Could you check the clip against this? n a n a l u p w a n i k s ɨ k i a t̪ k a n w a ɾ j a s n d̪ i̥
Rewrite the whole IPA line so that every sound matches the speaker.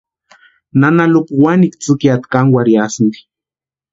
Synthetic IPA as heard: n a n a l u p w a n i k t͡s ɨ k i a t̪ k a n w a ɾ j a s n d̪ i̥